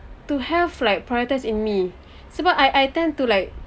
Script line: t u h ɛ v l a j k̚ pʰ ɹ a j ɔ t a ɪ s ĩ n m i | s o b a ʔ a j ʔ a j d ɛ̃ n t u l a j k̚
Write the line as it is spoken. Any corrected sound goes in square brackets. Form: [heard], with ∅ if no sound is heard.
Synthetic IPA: t u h ɛ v l a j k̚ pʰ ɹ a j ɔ t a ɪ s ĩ n m i | s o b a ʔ a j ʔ a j [t] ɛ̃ n t u l a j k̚